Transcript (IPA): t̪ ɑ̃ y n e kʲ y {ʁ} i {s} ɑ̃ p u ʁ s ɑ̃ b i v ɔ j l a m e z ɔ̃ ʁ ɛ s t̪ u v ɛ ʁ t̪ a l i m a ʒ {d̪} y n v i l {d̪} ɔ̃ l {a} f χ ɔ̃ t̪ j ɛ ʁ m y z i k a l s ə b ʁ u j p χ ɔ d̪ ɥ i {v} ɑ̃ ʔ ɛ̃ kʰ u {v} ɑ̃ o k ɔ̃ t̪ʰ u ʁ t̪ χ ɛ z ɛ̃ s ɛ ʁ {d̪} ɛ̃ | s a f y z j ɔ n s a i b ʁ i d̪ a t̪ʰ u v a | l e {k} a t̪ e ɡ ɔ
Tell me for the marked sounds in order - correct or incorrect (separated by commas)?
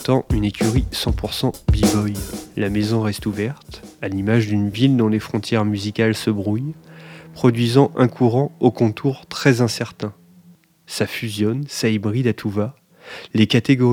correct, correct, correct, correct, incorrect, incorrect, incorrect, incorrect, correct